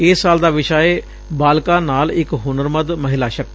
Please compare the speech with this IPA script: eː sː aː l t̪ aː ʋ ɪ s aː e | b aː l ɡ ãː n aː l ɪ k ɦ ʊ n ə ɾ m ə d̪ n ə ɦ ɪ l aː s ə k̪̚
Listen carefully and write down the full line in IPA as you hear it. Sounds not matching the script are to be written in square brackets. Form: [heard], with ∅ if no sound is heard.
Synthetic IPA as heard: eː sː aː l [d̪] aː ʋ ɪ [ʃ] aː e | b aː l [k] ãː n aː l ɪ k ɦ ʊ n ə ɾ m ə d̪ [m] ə ɦ ɪ l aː [ʃ] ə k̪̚